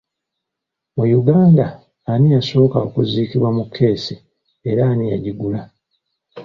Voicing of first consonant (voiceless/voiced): voiced